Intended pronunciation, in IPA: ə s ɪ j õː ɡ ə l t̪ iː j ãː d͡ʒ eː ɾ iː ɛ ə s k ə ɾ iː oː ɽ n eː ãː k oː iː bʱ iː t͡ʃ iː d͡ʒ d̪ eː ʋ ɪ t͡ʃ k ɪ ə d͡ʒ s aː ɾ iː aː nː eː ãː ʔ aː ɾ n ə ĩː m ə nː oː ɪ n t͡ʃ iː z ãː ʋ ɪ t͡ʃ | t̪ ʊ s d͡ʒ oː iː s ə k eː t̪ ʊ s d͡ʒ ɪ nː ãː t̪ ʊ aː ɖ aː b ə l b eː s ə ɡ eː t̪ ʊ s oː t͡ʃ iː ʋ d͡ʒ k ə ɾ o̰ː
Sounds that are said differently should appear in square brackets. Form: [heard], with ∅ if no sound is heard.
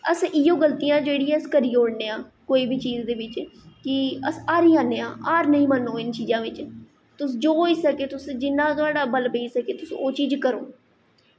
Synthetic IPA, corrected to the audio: ə s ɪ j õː ɡ ə l t̪ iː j ãː d͡ʒ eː [ɽ] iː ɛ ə s k ə ɾ iː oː ɽ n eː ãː k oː iː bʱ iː t͡ʃ iː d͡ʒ d̪ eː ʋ ɪ t͡ʃ k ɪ ə [∅] s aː ɾ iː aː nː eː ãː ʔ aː ɾ n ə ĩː m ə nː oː ɪ n t͡ʃ iː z ãː ʋ ɪ t͡ʃ | t̪ ʊ s d͡ʒ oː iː s ə k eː t̪ ʊ s d͡ʒ ɪ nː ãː t̪ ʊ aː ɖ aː b ə l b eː s ə [k] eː t̪ ʊ s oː t͡ʃ iː [∅] d͡ʒ k ə ɾ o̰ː